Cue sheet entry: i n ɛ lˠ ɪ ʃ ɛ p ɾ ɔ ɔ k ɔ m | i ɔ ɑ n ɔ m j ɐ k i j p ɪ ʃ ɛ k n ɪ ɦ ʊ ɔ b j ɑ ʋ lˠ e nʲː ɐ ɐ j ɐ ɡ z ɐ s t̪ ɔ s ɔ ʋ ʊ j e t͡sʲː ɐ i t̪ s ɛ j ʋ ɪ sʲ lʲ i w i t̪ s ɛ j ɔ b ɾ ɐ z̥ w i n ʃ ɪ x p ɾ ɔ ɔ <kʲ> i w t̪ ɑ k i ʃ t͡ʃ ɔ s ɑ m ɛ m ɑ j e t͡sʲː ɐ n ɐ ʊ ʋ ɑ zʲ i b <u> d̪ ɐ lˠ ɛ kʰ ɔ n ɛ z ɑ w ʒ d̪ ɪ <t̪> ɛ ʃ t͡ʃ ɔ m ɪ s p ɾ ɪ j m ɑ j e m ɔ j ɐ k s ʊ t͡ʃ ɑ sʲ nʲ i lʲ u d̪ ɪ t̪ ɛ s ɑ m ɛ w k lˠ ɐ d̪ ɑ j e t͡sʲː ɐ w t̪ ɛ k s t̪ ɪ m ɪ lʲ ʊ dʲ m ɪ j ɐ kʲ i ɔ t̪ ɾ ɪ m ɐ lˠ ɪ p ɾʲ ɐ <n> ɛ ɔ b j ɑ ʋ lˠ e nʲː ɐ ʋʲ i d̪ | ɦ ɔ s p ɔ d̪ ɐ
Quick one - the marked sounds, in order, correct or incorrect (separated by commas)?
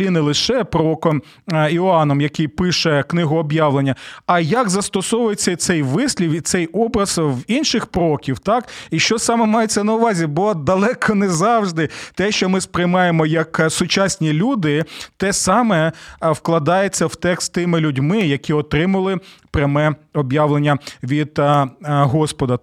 correct, incorrect, correct, incorrect